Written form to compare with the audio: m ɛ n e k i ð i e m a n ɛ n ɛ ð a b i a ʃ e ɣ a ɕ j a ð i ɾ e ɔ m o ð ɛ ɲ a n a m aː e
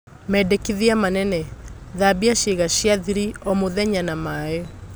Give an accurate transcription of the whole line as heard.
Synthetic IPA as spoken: m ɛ d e k i ð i a m a n ɛ n ɛ ð a b i a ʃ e ɣ a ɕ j a ð i ɾ i ɔ m o ð ɛ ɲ a n a m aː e